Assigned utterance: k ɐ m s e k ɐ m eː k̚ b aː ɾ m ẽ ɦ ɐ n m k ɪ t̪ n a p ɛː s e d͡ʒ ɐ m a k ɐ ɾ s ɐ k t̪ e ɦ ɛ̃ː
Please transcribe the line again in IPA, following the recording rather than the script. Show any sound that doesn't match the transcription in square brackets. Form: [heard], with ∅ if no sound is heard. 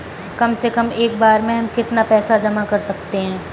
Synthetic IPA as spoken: k ɐ m s e k ɐ m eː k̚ b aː ɾ m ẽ ɦ ɐ [∅] m k ɪ t̪ n a p ɛː s [a] d͡ʒ ɐ m a k ɐ ɾ s ɐ k t̪ e ɦ ɛ̃ː